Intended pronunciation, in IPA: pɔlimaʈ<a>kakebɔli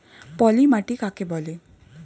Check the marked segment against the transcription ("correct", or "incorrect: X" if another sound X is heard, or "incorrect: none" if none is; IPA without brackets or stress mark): incorrect: i